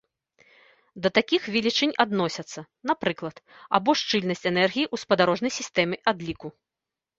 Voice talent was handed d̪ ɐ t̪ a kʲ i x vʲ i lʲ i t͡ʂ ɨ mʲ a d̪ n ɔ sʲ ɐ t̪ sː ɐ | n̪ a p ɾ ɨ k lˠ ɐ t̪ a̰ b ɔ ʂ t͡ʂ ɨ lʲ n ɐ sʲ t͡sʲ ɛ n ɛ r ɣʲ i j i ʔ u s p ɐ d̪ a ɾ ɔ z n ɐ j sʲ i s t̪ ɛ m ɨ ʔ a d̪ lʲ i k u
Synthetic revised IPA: d̪ ɐ t̪ a kʲ i x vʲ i lʲ i t͡ʂ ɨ nʲ a d̪ n ɔ sʲ ɐ t̪ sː ɐ | n̪ a p ɾ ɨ k lˠ ɐ t̪ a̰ b ɔ ʂ t͡ʂ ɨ lʲ n ɐ sʲ t͡sʲ ɛ n ɛ r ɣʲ i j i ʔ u s p ɐ d̪ a ɾ ɔ ʐ n ɐ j sʲ i s t̪ ɛ m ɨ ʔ a d̪ lʲ i k u